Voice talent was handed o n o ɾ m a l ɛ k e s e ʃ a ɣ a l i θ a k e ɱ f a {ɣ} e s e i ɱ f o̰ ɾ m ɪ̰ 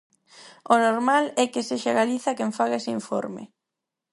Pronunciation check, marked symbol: correct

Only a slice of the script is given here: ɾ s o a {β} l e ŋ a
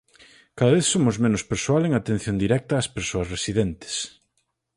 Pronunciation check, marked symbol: incorrect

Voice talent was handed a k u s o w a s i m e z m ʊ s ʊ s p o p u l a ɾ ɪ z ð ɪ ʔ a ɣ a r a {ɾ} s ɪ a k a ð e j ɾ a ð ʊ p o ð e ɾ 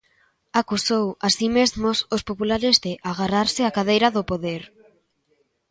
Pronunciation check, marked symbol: correct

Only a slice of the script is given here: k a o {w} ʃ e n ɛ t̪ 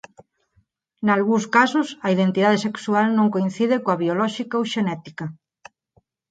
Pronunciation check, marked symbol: correct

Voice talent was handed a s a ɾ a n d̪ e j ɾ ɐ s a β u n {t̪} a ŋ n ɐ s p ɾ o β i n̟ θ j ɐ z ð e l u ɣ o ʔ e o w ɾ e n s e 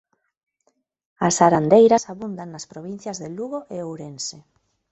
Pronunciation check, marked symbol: incorrect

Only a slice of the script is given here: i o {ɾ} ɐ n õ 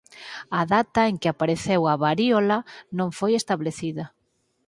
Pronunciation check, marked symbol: incorrect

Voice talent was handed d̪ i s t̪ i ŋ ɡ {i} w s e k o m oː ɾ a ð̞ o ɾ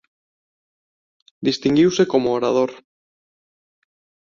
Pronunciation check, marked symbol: correct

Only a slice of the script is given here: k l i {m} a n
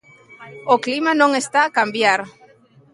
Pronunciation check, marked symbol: correct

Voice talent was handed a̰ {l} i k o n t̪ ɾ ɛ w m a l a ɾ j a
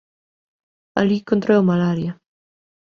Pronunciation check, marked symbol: correct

